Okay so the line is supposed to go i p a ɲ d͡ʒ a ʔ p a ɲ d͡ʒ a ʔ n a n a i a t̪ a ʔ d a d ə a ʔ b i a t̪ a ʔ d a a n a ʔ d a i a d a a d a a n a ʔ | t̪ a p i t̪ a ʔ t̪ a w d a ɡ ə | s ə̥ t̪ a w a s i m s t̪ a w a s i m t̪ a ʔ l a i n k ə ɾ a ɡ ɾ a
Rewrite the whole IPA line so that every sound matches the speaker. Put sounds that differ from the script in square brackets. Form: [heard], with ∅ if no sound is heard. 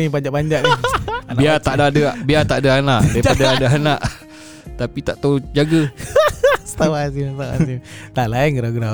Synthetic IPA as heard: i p a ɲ d͡ʒ a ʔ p a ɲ d͡ʒ a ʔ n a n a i a t̪ a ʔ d a d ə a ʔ b i a t̪ a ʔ d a a n a ʔ d a i a d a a d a a n a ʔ | t̪ a p i t̪ a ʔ t̪ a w [d͡ʒ] a ɡ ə | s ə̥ t̪ a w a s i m s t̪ a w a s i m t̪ a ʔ l a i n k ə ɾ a ɡ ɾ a